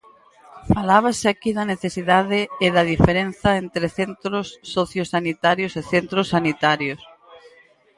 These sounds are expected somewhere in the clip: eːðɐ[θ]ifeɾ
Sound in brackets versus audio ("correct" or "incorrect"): incorrect